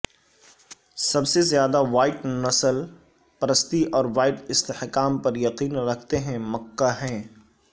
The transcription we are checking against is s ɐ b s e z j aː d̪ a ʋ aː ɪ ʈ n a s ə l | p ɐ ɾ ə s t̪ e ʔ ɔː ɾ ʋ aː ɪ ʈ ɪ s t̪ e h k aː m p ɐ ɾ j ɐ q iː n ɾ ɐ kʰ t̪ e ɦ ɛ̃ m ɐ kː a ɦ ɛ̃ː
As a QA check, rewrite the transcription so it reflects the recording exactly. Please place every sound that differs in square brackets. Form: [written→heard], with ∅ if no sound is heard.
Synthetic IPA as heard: s ɐ b s e z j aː d̪ a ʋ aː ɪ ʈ n [a→ɐ] s ə l | p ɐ ɾ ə s t̪ [e→i] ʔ ɔː ɾ ʋ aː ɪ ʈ ɪ s t̪ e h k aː m p ɐ ɾ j ɐ q iː n ɾ ɐ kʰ t̪ e ɦ ɛ̃ m ɐ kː a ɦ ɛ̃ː